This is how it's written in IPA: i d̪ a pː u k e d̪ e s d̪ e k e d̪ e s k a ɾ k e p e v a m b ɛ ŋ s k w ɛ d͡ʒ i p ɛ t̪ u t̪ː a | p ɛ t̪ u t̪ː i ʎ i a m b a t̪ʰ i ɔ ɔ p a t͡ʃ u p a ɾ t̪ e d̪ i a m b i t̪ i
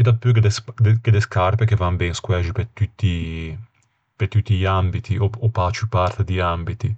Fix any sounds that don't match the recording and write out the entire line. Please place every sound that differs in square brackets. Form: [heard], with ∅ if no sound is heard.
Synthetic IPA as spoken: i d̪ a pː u k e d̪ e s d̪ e k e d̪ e s k a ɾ [p] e [k] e v a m b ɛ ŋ s k w ɛ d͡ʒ i p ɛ t̪ u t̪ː [i] | p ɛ t̪ u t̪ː i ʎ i a m b [i] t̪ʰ i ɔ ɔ p a t͡ʃ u p a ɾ t̪ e d̪ i a m b i t̪ i